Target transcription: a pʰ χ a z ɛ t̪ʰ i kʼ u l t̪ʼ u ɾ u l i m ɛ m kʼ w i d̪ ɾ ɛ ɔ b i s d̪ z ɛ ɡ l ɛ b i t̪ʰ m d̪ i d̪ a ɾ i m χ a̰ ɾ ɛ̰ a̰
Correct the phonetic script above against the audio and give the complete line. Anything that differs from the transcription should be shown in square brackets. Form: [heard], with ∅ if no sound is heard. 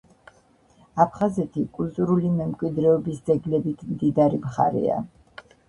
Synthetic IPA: a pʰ χ a z ɛ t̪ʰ i kʼ u l t̪ʼ u ɾ u l i m ɛ m kʼ w i d̪ ɾ ɛ ɔ b i s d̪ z ɛ ɡ l ɛ b i t̪ʰ m d̪ i d̪ a ɾ i m χ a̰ ɾ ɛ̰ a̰